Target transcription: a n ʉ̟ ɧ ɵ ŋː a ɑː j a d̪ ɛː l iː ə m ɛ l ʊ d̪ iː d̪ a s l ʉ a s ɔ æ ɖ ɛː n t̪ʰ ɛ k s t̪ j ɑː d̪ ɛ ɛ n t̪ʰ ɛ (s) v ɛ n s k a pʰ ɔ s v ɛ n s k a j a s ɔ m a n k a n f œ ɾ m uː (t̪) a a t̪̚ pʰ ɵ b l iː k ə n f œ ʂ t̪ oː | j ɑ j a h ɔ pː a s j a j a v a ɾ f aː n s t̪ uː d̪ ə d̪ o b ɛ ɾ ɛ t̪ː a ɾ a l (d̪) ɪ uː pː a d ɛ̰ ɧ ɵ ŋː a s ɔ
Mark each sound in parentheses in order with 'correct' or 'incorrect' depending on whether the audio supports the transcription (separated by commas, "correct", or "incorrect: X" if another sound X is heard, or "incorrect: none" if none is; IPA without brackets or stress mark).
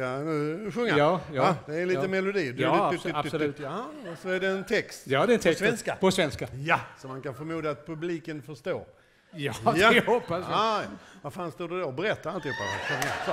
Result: correct, incorrect: d̪, incorrect: t̪